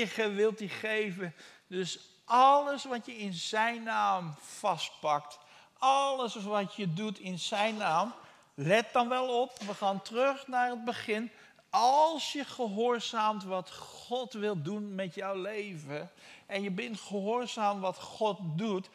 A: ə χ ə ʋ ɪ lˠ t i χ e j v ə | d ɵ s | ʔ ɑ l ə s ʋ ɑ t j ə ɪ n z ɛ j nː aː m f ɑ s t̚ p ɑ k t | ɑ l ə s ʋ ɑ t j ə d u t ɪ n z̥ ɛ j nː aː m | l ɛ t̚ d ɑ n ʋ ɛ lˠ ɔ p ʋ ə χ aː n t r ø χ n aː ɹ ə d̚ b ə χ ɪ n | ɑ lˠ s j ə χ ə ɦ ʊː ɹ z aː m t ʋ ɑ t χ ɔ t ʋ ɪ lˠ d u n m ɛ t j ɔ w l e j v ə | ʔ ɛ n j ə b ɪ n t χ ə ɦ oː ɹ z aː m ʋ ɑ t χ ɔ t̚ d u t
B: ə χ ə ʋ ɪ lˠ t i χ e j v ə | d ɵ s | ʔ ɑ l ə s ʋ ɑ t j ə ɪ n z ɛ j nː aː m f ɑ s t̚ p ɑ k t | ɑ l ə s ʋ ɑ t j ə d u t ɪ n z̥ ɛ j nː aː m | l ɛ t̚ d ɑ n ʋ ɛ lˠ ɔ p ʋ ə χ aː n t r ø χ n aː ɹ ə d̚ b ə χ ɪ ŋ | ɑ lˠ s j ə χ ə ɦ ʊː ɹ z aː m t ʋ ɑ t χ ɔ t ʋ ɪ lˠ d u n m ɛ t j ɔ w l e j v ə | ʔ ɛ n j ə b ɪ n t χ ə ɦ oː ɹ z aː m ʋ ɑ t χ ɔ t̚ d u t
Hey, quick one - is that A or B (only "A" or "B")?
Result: A